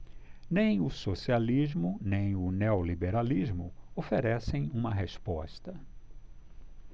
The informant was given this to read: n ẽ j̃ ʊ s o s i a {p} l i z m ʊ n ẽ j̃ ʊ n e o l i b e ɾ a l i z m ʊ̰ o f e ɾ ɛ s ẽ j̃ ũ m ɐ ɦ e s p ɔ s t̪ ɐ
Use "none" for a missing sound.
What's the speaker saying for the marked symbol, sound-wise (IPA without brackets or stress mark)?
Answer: none